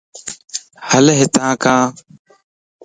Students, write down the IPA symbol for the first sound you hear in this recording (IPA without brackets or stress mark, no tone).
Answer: h